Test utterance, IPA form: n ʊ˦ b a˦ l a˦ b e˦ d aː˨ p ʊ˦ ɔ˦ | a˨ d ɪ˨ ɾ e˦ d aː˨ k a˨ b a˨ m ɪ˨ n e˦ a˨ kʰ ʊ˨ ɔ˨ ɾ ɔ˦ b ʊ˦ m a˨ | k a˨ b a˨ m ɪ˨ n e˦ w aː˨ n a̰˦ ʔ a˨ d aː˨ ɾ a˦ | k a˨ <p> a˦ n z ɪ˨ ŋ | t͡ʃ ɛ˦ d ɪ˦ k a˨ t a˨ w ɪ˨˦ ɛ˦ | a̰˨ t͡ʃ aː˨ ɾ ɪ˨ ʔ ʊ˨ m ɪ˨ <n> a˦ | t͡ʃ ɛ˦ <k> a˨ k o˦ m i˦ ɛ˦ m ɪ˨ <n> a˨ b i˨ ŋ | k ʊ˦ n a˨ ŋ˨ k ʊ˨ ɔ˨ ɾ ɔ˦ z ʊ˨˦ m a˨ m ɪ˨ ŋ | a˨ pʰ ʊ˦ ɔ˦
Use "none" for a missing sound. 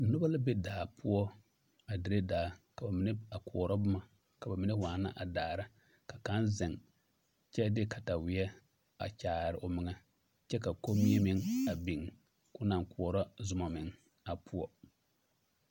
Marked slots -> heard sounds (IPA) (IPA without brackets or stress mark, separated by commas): k, ŋ, k, ŋ